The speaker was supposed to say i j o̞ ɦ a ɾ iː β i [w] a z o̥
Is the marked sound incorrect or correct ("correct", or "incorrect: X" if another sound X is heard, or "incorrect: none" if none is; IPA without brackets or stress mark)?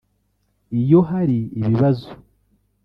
incorrect: β